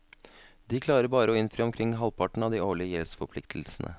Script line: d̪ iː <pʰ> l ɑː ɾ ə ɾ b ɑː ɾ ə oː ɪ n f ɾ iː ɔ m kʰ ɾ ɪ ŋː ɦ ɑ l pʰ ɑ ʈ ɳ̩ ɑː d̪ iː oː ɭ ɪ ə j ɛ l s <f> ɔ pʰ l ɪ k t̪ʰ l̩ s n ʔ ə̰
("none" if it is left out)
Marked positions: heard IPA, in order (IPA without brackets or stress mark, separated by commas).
kʰ, f